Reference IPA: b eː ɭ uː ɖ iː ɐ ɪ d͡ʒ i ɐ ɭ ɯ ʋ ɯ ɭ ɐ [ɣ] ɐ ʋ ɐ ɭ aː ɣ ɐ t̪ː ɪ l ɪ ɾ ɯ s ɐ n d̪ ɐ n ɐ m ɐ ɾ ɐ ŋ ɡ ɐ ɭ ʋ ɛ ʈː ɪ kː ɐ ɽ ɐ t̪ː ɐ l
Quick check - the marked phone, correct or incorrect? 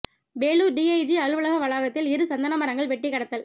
correct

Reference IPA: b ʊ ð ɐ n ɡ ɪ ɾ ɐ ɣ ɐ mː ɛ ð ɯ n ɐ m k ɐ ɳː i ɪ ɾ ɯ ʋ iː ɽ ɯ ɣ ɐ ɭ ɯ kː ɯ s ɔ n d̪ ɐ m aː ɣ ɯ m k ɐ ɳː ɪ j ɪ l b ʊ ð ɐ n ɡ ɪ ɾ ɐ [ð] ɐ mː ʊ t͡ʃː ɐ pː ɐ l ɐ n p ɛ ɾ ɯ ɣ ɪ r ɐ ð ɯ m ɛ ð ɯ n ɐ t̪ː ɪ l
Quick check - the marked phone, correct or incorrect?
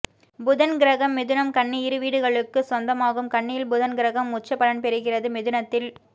incorrect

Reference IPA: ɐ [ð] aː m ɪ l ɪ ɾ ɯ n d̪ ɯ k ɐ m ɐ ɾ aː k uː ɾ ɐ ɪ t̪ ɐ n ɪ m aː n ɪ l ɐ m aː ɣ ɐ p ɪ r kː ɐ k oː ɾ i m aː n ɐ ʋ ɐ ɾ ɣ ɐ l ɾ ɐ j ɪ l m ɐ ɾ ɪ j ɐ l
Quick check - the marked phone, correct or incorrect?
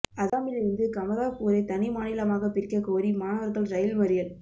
correct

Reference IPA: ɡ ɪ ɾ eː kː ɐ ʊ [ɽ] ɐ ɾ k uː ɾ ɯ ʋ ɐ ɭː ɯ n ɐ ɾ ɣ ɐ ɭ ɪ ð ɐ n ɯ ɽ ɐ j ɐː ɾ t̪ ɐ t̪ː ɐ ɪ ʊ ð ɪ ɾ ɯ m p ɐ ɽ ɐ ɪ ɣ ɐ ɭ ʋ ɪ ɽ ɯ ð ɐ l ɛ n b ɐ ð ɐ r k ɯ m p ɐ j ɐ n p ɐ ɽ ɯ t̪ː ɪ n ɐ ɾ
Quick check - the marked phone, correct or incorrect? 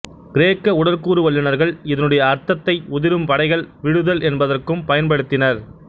correct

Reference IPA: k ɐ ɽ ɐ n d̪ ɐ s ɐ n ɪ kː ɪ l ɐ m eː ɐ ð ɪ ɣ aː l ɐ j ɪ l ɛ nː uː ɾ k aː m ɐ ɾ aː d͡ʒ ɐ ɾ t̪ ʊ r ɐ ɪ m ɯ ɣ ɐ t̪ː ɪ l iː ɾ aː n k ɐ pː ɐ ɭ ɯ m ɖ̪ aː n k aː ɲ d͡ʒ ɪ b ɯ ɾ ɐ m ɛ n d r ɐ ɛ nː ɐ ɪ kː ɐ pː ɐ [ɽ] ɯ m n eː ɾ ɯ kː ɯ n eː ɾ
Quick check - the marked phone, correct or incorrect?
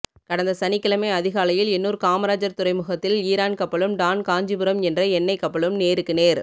incorrect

